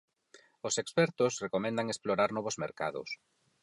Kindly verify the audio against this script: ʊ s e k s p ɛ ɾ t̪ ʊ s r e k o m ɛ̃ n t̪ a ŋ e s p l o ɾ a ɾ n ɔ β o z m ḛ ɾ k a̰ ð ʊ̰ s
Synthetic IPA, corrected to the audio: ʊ s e k s p ɛ ɾ t̪ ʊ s r e k o m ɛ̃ n d̪ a ŋ e s p l o ɾ a ɾ n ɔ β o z m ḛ ɾ k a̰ ð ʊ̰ s